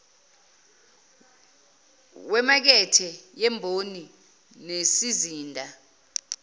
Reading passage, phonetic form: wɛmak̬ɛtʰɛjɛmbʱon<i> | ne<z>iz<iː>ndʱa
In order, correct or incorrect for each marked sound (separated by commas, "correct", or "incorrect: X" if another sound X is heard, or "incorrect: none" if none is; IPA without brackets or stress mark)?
correct, incorrect: s, correct